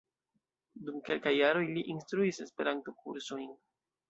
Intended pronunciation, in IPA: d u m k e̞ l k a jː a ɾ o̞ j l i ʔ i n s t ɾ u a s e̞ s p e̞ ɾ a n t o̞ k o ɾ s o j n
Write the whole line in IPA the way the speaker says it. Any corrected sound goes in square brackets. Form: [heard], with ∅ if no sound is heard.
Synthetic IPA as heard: d u m k e̞ l k a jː a ɾ o̞ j l i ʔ i n s t ɾ u [i] s e̞ s p e̞ ɾ a n t o̞ k [u] ɾ s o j n